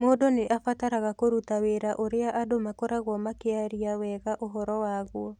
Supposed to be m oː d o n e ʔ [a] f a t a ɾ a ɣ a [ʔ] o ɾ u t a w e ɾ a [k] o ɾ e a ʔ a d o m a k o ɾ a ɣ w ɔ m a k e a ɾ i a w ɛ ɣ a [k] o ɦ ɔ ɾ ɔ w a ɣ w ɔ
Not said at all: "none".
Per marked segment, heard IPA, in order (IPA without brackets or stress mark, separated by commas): a, k, ʔ, ʔ